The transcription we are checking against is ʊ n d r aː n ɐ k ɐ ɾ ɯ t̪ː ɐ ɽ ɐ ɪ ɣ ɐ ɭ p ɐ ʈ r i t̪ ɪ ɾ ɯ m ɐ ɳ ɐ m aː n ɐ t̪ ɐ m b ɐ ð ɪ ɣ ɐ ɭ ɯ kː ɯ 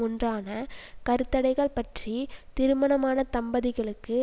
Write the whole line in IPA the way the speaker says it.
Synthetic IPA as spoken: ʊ n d r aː n ɐ k ɐ ɾ ɯ t̪ː ɐ ɽ ɐ ɪ ɣ ɐ ɭ p ɐ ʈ r i t̪ ɪ ɾ ɯ m ɐ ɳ ɐ m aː n ɐ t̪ ɐ m b ɐ ð ɪ ɣ ɐ ɭ ɯ kː ɯ